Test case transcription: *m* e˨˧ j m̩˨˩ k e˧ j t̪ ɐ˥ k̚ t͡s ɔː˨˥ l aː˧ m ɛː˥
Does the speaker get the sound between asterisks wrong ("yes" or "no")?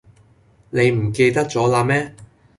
yes